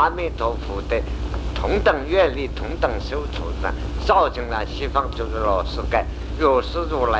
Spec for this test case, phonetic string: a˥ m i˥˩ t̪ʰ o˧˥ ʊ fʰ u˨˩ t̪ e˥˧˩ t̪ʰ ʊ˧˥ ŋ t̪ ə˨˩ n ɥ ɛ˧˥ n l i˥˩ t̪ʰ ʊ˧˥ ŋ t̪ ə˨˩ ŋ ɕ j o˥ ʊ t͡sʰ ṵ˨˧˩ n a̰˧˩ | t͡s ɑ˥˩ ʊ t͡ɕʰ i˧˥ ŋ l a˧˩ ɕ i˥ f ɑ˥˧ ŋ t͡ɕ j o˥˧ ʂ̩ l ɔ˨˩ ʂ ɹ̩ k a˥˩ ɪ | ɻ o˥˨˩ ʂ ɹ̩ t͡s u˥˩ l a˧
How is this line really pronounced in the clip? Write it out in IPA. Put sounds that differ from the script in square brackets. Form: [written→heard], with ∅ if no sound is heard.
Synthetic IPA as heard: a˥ m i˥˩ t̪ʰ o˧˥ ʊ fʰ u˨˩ t̪ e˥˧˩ t̪ʰ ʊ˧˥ ŋ t̪ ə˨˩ [n→ŋ] ɥ [ɛ˧˥→ɛ˥˧] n l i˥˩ t̪ʰ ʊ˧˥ ŋ t̪ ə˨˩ ŋ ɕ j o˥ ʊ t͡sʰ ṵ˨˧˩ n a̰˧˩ | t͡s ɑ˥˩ ʊ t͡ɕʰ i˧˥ ŋ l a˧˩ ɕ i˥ f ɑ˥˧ ŋ t͡ɕ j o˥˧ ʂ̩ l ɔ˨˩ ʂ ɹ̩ k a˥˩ ɪ | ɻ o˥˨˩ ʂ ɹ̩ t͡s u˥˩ l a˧